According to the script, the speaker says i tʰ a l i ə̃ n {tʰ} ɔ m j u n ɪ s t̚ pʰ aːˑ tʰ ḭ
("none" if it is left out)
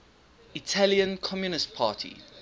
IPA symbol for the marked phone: kʰ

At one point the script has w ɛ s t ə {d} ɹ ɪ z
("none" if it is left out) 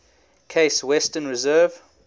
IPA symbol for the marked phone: n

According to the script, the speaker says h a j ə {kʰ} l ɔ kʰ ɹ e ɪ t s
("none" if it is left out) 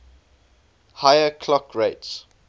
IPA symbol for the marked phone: kʰ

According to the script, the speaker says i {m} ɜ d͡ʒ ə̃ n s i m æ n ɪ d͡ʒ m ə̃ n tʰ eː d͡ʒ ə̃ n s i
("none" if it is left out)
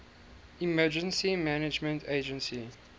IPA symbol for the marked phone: m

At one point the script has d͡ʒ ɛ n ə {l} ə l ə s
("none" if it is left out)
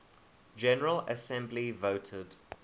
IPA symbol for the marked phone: ɹ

